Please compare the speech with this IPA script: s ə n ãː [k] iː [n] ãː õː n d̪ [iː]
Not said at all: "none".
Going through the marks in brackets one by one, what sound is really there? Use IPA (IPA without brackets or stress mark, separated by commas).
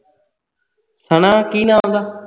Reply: k, n, aː